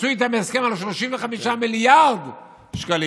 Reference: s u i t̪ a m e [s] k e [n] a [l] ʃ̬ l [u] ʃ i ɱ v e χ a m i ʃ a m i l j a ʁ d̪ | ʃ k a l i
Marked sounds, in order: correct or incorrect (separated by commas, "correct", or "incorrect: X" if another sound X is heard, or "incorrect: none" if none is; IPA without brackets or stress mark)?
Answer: correct, incorrect: m, correct, incorrect: o